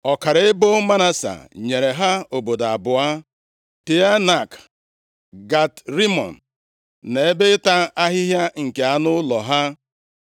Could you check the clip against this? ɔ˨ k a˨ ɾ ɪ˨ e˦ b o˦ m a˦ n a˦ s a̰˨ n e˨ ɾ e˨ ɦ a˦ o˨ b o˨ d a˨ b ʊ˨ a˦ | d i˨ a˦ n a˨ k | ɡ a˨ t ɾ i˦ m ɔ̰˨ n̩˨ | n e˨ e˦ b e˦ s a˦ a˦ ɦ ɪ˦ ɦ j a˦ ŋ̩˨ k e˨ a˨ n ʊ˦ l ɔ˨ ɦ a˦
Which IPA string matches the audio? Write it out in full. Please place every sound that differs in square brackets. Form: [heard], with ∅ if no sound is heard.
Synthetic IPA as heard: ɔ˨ k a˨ ɾ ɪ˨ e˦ b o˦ m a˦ n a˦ s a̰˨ [ɲ] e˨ ɾ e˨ ɦ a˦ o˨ b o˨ d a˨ b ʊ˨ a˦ | [t] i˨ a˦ n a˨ k | ɡ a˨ t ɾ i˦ m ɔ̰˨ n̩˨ | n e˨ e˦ b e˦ [t] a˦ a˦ ɦ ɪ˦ ɦ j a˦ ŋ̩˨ k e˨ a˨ n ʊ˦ l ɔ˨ ɦ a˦